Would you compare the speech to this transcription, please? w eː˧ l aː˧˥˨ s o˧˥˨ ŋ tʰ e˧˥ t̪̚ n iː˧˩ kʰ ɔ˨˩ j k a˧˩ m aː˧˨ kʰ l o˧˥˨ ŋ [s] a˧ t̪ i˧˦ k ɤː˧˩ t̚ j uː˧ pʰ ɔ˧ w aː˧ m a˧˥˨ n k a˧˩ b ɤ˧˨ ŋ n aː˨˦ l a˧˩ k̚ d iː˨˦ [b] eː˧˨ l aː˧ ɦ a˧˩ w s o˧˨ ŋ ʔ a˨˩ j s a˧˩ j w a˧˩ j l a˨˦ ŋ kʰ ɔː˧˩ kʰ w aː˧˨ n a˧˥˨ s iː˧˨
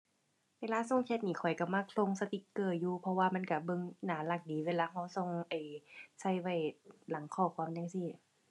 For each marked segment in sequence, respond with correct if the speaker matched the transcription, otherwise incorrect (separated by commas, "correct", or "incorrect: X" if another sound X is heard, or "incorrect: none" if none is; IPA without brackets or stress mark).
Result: correct, incorrect: w